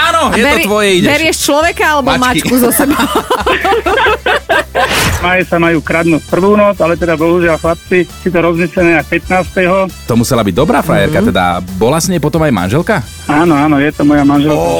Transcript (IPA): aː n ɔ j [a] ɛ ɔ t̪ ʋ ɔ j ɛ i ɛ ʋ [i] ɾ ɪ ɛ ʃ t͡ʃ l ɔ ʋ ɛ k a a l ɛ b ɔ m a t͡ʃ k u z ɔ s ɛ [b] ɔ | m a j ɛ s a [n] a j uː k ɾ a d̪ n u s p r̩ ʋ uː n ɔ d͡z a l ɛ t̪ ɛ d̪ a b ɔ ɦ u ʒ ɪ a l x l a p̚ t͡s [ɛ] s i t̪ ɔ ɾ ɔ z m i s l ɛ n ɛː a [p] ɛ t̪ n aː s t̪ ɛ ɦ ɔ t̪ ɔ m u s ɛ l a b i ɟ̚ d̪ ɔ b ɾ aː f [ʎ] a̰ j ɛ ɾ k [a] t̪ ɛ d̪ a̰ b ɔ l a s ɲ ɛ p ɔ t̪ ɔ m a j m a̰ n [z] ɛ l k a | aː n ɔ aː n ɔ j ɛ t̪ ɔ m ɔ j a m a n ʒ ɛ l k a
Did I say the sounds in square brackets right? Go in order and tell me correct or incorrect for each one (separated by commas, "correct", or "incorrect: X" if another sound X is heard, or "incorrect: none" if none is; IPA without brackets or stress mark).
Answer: incorrect: ɛ, incorrect: ɛ, correct, incorrect: m, incorrect: i, correct, incorrect: ɾ, correct, incorrect: ʒ